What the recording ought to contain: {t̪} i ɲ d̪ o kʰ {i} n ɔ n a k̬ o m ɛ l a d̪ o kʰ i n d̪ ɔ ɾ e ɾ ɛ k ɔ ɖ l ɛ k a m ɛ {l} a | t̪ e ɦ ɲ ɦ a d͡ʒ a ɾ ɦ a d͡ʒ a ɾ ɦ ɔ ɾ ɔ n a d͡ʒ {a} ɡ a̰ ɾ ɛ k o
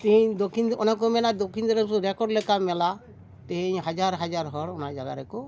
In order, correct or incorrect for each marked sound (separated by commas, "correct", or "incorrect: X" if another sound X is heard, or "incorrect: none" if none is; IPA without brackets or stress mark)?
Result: correct, correct, correct, correct